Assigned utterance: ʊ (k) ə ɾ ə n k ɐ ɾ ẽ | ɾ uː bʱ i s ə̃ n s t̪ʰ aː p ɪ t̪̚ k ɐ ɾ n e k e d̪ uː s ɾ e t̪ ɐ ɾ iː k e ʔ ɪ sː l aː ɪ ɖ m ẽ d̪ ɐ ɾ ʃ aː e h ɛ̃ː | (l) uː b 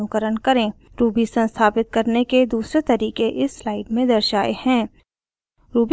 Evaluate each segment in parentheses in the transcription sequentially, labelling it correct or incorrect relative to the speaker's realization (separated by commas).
correct, incorrect